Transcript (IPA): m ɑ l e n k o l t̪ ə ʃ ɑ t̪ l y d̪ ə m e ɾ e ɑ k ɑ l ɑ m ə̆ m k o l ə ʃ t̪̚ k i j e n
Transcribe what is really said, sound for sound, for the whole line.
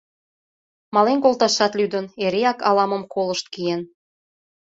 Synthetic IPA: m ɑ l e n k o l t̪ ɑ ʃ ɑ t̪ l y d̪ ə n e ɾ e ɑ k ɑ l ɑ m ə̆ m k o l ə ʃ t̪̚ k i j e n